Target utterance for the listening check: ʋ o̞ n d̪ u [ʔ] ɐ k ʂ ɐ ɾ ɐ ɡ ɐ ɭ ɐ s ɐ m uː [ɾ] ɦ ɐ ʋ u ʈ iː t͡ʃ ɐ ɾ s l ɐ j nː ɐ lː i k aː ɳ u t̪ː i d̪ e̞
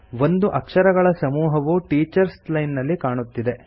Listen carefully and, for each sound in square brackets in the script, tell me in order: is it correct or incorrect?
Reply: correct, incorrect

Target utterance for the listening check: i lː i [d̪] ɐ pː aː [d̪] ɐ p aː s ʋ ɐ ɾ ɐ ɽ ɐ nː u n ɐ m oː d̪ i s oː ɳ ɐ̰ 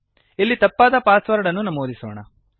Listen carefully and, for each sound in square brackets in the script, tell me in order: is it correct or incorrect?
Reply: incorrect, correct

